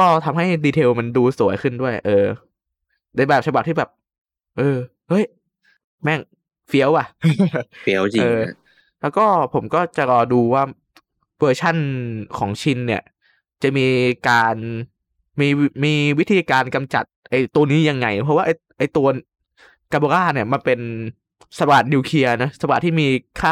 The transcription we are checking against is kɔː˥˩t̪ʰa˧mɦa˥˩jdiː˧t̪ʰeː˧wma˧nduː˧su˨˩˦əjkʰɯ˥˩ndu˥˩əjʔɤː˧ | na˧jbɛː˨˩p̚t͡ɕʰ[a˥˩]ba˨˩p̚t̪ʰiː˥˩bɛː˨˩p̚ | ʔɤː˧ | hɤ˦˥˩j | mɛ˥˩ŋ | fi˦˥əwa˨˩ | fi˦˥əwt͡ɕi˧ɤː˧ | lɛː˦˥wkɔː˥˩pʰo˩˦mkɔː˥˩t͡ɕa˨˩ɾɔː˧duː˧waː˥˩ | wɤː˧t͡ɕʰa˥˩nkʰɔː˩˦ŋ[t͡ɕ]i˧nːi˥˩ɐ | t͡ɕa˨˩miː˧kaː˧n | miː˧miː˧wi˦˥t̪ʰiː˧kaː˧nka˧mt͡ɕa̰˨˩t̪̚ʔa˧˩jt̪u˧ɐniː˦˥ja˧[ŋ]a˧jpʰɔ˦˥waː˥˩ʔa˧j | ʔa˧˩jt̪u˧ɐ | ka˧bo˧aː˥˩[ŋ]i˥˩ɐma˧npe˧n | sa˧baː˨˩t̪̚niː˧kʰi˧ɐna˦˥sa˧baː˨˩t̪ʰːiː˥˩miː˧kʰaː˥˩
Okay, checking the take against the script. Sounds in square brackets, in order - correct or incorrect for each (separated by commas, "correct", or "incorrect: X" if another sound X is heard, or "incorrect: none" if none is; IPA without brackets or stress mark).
incorrect: a˧, incorrect: t͡ɕʰ, incorrect: ŋː, incorrect: n